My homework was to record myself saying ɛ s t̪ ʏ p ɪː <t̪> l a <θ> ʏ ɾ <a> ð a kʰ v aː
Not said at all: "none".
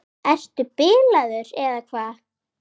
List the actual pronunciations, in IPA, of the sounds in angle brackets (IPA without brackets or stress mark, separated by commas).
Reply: none, ð, ɛ